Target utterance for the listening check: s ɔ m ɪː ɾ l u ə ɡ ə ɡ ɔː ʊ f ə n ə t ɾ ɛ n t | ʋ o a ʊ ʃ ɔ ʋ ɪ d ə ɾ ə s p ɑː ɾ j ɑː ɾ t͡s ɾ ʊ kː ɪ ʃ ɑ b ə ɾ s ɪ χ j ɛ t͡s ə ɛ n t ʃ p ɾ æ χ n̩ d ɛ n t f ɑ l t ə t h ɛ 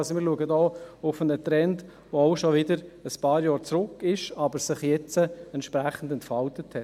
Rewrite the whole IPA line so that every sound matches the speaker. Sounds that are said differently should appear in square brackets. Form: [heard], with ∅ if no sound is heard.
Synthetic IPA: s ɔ m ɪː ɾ l u ə ɡ ə [d] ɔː ʊ f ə n ə t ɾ ɛ n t | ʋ o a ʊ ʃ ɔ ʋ ɪ d ə ɾ ə s p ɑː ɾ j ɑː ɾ t͡s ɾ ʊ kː ɪ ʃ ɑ b ə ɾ s ɪ χ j ɛ t͡s ə ɛ n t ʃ p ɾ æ χ n̩ d ɛ n t f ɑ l t ə t h ɛ